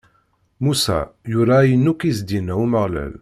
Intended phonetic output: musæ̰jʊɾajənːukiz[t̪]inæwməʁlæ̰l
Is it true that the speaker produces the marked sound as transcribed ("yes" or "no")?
no